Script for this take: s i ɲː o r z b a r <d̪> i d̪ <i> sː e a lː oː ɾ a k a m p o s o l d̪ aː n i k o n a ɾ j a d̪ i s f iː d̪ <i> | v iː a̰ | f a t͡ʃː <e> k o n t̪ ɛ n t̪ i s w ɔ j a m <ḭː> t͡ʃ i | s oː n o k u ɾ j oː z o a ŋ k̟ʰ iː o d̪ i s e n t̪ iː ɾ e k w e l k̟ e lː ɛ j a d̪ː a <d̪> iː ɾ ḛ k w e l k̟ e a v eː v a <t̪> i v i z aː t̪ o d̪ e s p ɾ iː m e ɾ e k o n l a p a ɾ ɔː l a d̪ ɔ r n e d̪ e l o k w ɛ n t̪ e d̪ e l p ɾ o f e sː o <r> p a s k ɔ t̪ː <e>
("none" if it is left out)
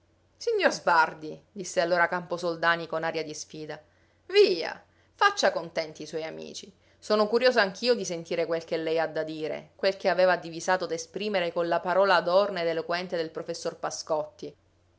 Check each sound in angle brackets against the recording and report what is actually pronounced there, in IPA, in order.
d̪, i, a, a, ḭː, d̪, d̪, r, i

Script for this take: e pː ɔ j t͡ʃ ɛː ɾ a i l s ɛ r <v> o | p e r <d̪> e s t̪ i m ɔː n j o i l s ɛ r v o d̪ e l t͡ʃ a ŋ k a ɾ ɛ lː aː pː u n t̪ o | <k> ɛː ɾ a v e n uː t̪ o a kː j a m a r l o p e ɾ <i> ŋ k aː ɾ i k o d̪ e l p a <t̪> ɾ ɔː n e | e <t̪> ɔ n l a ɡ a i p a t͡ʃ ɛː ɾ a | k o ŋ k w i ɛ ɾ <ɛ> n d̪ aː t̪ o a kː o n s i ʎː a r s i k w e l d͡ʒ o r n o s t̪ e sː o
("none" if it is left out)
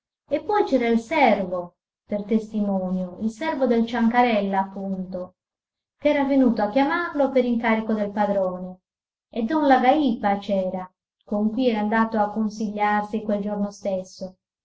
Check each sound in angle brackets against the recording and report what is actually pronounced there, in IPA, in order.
v, t̪, k, i, d̪, d̪, a

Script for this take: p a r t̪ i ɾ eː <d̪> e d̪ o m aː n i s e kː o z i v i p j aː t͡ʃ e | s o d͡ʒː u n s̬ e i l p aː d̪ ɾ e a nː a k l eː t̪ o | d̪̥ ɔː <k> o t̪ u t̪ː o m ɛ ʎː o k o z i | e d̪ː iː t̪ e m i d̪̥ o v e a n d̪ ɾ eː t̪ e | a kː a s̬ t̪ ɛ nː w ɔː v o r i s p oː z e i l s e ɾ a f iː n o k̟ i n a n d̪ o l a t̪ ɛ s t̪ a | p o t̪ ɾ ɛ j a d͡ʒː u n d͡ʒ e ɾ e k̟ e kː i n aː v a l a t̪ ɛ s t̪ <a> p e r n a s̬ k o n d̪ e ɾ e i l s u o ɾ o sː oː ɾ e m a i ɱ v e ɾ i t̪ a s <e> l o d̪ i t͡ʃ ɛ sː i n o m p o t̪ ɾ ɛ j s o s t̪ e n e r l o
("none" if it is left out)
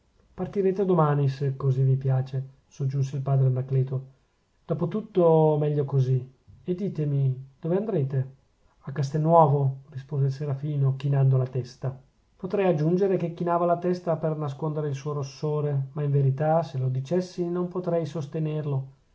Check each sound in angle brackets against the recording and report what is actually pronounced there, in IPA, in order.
t̪, p, a, e

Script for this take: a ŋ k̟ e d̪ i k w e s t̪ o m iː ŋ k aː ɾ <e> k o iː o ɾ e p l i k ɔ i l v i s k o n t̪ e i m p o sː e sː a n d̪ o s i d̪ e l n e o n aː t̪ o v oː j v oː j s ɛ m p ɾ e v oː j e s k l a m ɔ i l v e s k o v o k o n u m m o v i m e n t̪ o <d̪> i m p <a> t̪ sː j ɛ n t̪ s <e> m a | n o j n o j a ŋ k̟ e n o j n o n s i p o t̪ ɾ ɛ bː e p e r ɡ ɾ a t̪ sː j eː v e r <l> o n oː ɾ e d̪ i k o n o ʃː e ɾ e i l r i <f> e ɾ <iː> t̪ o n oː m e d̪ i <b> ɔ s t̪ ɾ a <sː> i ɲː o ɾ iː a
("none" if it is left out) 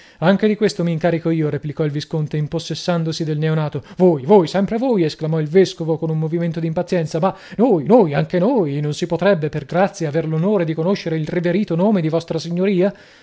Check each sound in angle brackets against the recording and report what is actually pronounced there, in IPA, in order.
i, d̪, a, a, l, v, iː, v, s

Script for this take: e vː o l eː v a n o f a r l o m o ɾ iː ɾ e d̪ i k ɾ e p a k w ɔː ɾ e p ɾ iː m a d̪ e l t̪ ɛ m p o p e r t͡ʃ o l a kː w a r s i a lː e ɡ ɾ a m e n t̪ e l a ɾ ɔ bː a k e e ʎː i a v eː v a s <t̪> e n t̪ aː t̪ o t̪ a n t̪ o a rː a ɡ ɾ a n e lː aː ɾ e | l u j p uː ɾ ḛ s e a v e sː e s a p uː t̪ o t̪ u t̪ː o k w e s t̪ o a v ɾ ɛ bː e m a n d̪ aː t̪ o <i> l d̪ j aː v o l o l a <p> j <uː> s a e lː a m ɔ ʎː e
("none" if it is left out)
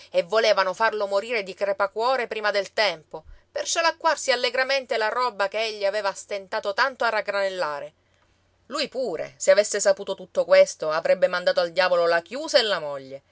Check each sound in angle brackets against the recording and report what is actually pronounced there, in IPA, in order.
t̪, a, k, uː

